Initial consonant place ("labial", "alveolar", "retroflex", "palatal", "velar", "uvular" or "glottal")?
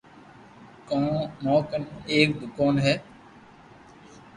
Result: velar